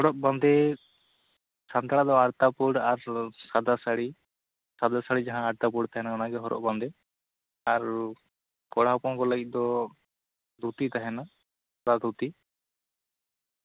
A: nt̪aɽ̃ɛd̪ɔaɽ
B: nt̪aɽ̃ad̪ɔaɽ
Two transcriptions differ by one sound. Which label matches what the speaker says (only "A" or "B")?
B